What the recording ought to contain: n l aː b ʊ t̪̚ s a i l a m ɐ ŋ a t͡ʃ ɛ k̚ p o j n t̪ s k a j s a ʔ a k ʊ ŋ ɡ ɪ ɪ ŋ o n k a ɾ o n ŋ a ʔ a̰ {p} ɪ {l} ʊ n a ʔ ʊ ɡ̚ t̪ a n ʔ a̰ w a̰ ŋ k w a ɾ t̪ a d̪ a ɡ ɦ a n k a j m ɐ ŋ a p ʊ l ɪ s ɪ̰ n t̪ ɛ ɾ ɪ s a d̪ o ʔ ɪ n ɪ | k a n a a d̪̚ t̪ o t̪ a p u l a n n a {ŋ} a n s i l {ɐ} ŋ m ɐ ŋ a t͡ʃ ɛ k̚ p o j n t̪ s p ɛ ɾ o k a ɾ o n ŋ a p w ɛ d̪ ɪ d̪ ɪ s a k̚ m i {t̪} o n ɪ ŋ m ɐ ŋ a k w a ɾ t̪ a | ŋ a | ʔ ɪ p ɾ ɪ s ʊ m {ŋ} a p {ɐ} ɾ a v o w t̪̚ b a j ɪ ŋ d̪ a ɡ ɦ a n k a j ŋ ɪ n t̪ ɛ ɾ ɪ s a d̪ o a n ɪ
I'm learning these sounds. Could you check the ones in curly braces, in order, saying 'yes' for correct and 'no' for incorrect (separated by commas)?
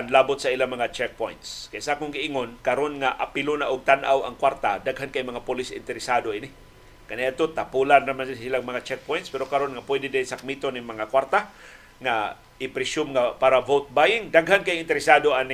yes, yes, no, no, yes, yes, no